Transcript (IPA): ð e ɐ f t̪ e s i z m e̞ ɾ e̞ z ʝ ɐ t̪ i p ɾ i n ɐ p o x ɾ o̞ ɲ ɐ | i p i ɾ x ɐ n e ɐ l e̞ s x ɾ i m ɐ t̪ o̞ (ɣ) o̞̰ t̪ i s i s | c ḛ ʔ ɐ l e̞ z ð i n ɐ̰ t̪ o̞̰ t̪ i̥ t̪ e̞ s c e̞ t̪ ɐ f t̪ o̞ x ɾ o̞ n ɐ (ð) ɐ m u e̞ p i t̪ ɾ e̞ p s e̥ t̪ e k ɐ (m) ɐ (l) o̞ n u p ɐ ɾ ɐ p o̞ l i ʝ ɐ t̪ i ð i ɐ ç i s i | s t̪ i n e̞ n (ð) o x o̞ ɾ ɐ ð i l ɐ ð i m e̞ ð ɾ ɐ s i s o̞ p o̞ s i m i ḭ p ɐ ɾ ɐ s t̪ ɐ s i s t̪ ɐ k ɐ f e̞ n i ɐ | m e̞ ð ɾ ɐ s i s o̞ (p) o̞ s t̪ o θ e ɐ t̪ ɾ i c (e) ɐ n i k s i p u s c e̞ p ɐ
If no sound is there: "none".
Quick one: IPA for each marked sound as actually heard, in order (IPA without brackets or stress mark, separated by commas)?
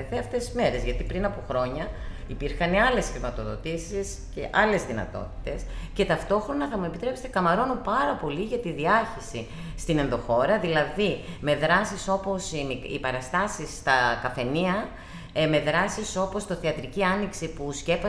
ð, θ, m, ɾ, ð, p, i